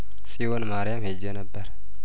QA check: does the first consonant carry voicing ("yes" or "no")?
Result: no